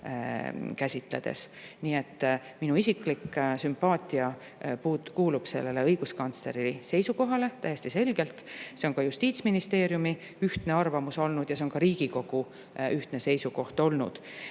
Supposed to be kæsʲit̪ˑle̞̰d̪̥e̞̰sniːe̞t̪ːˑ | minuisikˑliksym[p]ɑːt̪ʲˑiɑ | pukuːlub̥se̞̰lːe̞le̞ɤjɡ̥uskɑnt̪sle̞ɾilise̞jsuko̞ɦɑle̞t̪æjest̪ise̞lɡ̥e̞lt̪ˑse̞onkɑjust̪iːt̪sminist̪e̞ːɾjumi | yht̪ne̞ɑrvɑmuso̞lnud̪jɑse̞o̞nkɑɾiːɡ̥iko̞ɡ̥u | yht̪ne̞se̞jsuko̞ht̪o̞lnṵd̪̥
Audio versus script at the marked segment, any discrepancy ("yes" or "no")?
no